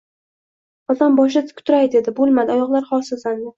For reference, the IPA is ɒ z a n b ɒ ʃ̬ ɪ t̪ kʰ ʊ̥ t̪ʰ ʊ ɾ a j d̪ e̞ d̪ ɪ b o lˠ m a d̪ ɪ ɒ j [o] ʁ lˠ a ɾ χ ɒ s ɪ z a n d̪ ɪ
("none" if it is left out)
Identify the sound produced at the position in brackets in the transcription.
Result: ɒ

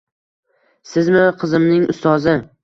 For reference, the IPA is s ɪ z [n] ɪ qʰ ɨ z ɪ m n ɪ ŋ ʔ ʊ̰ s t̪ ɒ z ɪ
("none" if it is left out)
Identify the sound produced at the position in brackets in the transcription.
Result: m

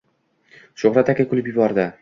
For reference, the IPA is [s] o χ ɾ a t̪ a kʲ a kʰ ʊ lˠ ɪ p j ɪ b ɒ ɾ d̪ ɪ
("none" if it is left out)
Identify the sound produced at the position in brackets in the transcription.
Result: ʃ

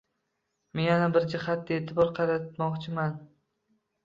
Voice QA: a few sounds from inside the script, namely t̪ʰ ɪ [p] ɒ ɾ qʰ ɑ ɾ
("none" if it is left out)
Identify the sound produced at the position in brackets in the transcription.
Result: b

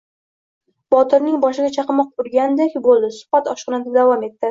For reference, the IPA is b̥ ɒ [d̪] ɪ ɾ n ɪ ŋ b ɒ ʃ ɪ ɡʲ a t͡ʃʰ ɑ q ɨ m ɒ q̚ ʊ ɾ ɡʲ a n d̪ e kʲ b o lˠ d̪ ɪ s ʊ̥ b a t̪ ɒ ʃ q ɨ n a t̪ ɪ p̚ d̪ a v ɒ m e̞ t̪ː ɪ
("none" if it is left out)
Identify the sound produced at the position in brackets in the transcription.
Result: t̪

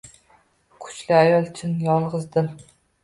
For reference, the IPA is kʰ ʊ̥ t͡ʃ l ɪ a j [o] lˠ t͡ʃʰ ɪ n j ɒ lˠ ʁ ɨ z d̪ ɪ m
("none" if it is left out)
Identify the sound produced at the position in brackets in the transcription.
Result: ɒ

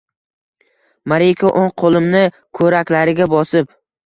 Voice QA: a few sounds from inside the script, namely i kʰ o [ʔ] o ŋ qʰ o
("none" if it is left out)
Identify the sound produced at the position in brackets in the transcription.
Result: ʔ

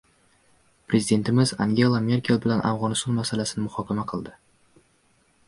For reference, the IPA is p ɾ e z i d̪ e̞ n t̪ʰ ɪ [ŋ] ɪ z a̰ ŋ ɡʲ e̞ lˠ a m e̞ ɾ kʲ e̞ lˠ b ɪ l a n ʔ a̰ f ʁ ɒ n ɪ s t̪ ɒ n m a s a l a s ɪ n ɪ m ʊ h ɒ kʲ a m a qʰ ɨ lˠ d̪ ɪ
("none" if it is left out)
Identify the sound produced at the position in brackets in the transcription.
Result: m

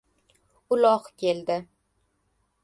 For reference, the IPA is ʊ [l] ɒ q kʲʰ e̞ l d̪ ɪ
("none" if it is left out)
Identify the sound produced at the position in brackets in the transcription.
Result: l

